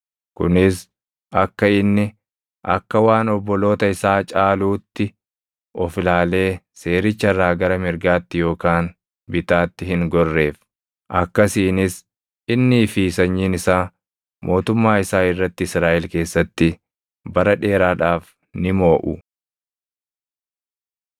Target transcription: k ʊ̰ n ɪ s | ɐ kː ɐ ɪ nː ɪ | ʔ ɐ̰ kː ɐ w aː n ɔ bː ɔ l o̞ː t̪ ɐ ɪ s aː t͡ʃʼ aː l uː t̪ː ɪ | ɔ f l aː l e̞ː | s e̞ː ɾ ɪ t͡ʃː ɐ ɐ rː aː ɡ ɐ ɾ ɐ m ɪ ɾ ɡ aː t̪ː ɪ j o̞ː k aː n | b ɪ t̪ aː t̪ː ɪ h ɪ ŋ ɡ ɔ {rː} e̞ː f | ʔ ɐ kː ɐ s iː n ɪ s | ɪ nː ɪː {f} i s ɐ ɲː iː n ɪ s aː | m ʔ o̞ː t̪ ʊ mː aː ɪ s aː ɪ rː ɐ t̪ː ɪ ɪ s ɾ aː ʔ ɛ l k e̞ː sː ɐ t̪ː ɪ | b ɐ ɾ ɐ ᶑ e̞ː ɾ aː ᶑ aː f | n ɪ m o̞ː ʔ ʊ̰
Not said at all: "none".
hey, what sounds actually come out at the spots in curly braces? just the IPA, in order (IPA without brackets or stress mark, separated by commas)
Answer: rː, f